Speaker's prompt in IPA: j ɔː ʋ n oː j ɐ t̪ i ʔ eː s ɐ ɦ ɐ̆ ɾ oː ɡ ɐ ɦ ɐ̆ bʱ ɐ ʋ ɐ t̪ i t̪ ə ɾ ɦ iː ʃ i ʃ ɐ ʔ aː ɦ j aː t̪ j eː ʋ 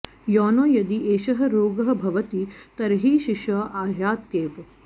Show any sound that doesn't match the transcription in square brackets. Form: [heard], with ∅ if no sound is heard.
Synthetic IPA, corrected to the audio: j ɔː [∅] n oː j ɐ [d̪] i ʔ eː [ʃ] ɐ ɦ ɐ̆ ɾ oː ɡ ɐ ɦ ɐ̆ bʱ ɐ ʋ ɐ t̪ i t̪ [ɐ] ɾ ɦ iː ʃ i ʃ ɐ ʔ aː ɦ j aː t̪ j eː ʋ

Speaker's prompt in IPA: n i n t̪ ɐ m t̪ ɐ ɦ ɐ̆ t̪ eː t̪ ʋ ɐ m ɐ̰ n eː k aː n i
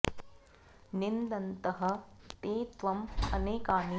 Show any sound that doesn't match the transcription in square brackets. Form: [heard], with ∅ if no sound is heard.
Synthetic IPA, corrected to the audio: n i n [d̪] ɐ [n] t̪ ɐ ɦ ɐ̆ t̪ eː t̪ ʋ ɐ m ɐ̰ n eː k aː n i

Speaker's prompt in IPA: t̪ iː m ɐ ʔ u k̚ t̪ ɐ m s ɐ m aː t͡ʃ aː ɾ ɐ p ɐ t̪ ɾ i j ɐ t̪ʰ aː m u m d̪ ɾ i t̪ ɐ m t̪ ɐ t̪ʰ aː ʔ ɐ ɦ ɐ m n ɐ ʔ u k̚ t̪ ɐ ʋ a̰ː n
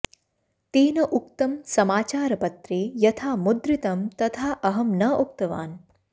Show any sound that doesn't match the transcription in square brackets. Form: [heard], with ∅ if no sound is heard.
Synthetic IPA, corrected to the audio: t̪ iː [n] ɐ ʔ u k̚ t̪ ɐ m s ɐ m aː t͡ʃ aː ɾ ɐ p ɐ t̪ ɾ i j ɐ t̪ʰ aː m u [∅] d̪ ɾ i t̪ ɐ m t̪ ɐ t̪ʰ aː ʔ ɐ ɦ ɐ m n ɐ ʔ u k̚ t̪ ɐ ʋ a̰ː n

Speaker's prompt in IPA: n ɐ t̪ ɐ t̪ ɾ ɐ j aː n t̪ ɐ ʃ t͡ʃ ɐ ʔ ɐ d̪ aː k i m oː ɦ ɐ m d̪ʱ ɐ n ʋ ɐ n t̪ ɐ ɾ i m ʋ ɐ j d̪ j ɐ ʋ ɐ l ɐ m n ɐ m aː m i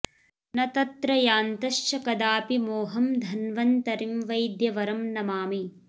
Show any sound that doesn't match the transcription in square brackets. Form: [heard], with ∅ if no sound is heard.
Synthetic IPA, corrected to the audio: n ɐ t̪ ɐ t̪ ɾ ɐ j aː n t̪ ɐ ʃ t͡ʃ ɐ [k] ɐ d̪ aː [p] i m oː ɦ ɐ m d̪ʱ ɐ n ʋ ɐ n t̪ ɐ ɾ i m ʋ ɐ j d̪ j ɐ ʋ ɐ [ɾ] ɐ m n ɐ m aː m i

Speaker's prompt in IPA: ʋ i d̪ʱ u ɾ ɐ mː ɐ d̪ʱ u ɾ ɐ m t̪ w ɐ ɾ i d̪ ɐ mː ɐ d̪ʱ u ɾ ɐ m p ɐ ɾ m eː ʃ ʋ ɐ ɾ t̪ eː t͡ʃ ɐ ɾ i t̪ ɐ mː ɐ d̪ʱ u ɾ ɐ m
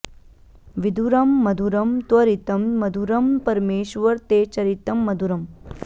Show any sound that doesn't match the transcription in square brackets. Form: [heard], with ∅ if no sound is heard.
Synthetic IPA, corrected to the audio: ʋ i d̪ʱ u ɾ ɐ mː ɐ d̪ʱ u ɾ ɐ m t̪ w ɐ ɾ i [t̪] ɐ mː ɐ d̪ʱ u ɾ ɐ m p ɐ ɾ m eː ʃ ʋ ɐ ɾ t̪ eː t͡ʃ ɐ ɾ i t̪ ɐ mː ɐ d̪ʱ u ɾ ɐ m

